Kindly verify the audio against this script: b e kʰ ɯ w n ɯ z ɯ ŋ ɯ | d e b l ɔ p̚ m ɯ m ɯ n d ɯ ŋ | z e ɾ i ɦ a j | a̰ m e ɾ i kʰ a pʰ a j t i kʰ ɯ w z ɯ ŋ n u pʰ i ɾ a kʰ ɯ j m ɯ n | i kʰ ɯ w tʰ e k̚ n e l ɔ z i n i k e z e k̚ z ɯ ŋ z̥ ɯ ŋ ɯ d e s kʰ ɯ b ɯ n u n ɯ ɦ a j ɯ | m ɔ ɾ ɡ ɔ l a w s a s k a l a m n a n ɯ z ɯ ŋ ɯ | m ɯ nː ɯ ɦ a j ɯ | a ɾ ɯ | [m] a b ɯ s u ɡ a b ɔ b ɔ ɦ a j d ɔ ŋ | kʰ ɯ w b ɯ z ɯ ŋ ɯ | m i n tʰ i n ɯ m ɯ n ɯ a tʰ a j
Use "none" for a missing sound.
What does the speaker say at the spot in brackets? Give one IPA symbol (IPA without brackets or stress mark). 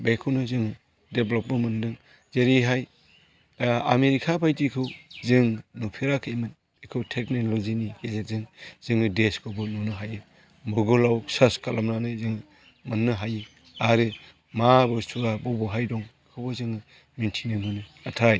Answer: m